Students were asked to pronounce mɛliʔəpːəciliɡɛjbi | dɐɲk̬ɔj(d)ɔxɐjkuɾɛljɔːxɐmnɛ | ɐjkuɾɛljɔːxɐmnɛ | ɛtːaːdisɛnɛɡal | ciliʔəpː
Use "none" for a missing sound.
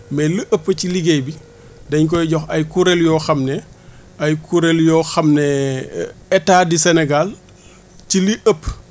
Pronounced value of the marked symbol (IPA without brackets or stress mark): ɟ